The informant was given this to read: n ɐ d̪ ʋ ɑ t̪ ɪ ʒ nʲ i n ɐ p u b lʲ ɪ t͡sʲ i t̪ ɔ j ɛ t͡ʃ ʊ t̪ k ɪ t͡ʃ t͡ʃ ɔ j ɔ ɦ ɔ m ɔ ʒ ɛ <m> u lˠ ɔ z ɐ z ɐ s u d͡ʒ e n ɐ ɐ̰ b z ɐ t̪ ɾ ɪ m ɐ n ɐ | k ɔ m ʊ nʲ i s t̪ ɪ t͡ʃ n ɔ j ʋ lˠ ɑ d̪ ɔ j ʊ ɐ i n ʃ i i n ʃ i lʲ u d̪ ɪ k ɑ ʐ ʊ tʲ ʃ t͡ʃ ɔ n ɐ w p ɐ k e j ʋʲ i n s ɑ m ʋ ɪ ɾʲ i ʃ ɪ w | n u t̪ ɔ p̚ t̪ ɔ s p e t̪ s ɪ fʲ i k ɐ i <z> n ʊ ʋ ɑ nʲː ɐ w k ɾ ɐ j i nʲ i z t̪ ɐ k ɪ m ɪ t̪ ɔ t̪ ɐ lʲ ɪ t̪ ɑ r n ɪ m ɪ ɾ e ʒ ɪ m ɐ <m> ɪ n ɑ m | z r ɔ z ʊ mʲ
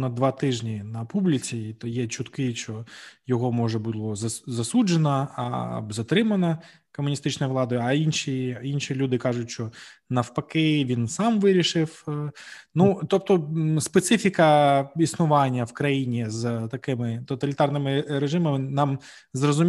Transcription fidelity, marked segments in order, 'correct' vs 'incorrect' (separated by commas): incorrect, incorrect, correct